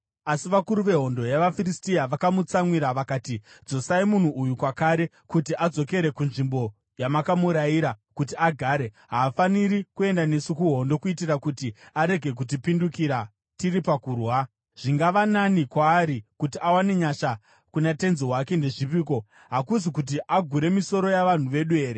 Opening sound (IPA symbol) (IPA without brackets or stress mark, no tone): a